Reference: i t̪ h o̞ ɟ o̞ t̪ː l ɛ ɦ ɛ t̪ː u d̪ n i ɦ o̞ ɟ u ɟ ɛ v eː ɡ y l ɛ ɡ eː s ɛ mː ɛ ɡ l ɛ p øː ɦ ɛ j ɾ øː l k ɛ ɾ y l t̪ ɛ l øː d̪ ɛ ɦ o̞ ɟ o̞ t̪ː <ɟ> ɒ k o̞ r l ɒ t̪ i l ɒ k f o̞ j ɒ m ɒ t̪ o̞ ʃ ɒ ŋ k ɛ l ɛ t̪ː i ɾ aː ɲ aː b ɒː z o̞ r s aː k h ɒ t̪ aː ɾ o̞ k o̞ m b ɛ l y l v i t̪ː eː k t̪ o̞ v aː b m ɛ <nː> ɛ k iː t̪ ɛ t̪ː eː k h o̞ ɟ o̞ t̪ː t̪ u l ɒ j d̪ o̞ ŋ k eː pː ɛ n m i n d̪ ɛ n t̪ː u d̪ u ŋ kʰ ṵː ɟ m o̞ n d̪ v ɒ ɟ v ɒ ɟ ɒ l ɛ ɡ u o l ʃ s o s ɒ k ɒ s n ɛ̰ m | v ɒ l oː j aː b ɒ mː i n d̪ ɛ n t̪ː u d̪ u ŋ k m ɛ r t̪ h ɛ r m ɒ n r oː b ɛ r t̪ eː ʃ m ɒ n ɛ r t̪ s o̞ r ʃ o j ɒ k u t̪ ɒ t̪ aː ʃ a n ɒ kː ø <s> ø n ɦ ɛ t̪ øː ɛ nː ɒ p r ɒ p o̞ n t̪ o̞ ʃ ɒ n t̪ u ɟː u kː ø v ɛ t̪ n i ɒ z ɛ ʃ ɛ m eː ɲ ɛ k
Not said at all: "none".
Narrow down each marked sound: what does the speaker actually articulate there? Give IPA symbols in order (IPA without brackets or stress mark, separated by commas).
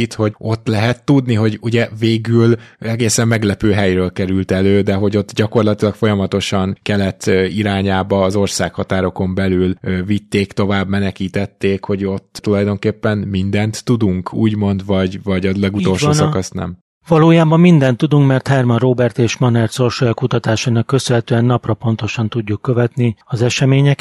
ɟ, n, s